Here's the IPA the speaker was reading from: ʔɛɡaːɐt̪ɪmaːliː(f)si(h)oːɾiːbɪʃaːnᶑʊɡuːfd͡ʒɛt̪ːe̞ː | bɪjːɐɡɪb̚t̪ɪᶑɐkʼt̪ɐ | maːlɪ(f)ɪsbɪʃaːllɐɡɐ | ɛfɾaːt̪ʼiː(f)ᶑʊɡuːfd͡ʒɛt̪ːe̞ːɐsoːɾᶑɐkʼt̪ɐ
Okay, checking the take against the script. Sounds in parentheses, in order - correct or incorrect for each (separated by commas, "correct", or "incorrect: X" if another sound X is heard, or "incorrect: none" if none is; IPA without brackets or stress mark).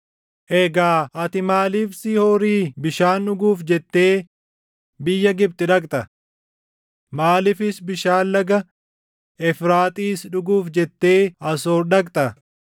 correct, correct, correct, incorrect: s